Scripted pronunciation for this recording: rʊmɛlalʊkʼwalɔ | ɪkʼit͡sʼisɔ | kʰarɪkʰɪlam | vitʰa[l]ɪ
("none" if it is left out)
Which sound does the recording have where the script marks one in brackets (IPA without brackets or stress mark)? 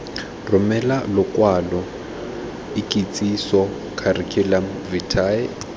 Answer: none